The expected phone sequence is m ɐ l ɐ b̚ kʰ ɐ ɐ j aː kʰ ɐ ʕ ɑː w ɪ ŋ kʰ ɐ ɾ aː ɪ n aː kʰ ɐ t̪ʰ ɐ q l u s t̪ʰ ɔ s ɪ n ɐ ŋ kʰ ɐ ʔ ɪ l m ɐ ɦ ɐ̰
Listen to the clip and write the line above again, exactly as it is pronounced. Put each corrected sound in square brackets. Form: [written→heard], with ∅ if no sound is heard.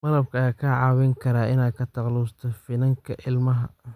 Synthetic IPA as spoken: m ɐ l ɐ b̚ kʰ ɐ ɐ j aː kʰ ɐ ʕ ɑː w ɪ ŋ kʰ ɐ ɾ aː ɪ n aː kʰ ɐ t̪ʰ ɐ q l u s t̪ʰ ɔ [s→f] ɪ n ɐ ŋ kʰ ɐ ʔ ɪ l m ɐ ɦ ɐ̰